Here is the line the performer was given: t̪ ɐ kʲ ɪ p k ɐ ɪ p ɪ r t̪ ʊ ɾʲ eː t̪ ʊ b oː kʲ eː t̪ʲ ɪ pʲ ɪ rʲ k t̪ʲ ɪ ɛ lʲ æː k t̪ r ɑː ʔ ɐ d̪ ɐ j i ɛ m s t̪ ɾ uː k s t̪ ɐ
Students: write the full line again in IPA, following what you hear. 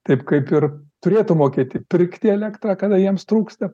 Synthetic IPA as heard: t̪ ɐ ɪ p k ɐ ɪ p ɪ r t̪ ʊ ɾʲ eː t̪ ʊ m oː kʲ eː t̪ʲ ɪ pʲ ɪ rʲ k t̪ʲ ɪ ɛ lʲ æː k t̪ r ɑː k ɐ d̪ ɐ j i ɛ m s t̪ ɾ uː k s t̪ ɐ

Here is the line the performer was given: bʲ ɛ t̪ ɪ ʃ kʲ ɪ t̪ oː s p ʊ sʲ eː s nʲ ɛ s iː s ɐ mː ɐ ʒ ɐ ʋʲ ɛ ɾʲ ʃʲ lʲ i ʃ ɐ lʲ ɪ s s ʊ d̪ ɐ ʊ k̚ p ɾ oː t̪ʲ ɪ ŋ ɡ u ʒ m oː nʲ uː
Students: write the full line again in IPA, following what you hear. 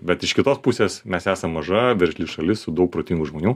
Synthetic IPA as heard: bʲ ɛ t̪ ɪ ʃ kʲ ɪ t̪ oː s p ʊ sʲ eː s mʲ ɛ s æː s ɐ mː ɐ ʒ ɐ ʋʲ ɛ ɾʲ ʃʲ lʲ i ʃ ɐ lʲ ɪ s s ʊ d̪ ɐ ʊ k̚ p ɾ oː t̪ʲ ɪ ŋ ɡ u ʒ m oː nʲ uː

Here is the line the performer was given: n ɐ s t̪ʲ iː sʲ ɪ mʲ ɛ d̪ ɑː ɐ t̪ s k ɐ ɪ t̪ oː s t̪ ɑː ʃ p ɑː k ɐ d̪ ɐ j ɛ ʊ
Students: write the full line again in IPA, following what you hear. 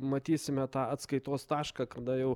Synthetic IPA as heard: m ɐ t̪ʲ iː sʲ ɪ mʲ ɛ t̪ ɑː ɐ t̪ s k ɐ ɪ t̪ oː s t̪ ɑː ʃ k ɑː k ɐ d̪ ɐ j ɛ ʊ

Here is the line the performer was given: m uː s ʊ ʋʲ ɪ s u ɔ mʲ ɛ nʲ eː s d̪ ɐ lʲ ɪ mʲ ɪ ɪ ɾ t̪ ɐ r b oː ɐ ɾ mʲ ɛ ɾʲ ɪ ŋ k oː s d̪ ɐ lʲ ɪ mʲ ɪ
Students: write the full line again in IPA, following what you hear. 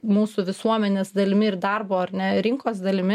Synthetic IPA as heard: m uː s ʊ ʋʲ ɪ s u ɔ mʲ ɛ nʲ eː s d̪ ɐ lʲ ɪ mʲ ɪ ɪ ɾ d̪ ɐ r b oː ɐ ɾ nʲ ɛ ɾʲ ɪ ŋ k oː s d̪ ɐ lʲ ɪ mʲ ɪ

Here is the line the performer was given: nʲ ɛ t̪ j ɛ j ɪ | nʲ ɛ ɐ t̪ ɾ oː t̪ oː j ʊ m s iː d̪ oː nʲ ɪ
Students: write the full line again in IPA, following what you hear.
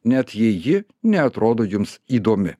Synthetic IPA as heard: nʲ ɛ t̪ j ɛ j ɪ | nʲ ɛ ɐ t̪ ɾ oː d̪ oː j ʊ m s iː d̪ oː mʲ ɪ

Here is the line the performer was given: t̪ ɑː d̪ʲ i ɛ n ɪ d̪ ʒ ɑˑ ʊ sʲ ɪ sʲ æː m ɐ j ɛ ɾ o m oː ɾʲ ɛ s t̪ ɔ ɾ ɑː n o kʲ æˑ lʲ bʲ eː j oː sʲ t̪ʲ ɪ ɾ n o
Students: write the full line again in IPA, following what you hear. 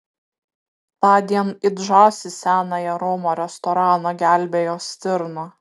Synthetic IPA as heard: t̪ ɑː d̪ʲ i ɛ n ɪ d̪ ʒ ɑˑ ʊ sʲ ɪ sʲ æː n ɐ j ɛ ɾ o m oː ɾʲ ɛ s t̪ ɔ ɾ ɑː n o ɡʲ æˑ lʲ bʲ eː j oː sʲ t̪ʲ ɪ ɾ n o

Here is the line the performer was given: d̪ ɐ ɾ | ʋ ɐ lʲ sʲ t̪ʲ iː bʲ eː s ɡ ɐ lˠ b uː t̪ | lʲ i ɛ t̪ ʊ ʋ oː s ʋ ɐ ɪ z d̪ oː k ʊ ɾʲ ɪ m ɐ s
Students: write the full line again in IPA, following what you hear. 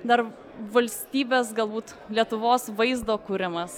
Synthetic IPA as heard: d̪ ɐ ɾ | ʋ ɐ lʲ sʲ t̪ʲ iː bʲ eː s ɡ ɐ lˠ b uː t̪ | lʲ i ɛ t̪ ʊ ʋ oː s ʋ ɐ ɪ z d̪ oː k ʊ ɾʲ ɪ m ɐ s

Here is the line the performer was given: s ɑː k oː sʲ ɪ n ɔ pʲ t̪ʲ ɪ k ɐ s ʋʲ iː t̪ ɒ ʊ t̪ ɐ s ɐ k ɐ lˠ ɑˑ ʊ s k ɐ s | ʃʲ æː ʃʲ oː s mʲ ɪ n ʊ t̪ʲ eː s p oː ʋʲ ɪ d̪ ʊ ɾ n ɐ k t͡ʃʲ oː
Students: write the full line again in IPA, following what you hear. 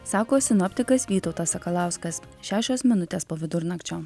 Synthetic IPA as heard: s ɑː k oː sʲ ɪ n ɔ pʲ t̪ʲ ɪ k ɐ s ʋʲ iː t̪ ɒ ʊ t̪ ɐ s ɐ k ɐ lˠ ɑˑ ʊ s k ɐ s | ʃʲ æː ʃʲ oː s mʲ ɪ n ʊ t̪ʲ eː s p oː ʋʲ ɪ d̪ ʊ ɾ n ɐ k t͡ʃʲ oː

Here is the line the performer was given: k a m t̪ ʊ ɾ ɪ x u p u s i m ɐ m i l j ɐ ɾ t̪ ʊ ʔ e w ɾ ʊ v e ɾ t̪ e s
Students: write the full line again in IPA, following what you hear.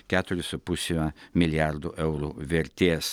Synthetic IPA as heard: k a t̪ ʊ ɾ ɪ s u p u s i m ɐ m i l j a ɾ d̪ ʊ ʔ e w ɾ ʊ v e ɾ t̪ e s

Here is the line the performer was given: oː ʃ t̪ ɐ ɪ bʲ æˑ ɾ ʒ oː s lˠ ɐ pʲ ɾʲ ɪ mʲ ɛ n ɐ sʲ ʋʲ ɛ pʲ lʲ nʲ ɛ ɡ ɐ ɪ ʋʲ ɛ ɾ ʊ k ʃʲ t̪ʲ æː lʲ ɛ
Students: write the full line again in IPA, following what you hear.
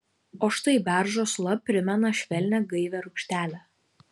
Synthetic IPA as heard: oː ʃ t̪ ɐ ɪ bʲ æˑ ɾ ʒ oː s lˠ ɐ pʲ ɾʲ ɪ mʲ ɛ n ɐ ʃʲ ʋʲ ɛ lʲ nʲ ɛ ɡ ɐ ɪ ʋʲ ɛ ɾ ʊ k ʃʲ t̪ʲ æː lʲ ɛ

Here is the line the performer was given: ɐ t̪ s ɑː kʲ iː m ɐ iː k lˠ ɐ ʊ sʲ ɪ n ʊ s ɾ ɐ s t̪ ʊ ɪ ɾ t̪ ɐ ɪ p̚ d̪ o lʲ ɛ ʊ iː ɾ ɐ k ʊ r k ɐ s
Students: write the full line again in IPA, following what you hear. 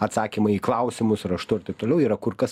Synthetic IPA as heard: ɐ t̪ s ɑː kʲ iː m ɐ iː k lˠ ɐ ʊ sʲ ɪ m ʊ s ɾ ɐ ʃ t̪ ʊ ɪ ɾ t̪ ɐ ɪ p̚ t̪ o lʲ ɛ ʊ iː ɾ ɐ k ʊ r k ɐ s

